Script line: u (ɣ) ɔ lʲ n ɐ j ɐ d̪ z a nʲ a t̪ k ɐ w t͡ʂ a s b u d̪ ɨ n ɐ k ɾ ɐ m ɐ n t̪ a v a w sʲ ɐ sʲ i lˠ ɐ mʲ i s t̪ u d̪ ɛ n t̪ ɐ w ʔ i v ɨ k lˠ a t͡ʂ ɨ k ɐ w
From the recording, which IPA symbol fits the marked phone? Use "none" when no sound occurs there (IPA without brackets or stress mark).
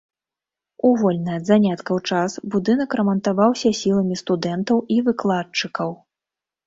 v